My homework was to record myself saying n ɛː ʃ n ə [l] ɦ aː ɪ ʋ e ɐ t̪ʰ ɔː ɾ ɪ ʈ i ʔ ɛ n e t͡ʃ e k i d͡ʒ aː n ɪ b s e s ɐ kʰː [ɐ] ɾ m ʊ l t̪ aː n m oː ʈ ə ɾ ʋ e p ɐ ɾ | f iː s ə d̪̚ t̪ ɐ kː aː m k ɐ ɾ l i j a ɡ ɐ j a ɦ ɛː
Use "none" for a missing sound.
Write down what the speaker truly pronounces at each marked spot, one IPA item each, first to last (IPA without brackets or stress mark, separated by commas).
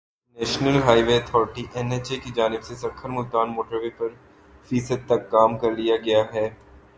l, ə